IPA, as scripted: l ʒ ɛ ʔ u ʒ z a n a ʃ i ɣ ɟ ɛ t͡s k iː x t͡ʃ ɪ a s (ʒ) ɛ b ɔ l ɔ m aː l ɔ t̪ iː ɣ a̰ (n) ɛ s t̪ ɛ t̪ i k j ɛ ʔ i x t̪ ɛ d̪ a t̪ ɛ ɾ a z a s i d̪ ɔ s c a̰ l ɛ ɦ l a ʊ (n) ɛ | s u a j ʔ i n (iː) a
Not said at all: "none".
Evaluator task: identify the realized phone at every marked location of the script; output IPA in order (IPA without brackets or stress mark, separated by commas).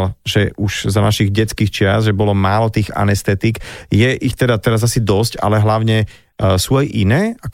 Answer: ʒ, n, ɲ, ɛː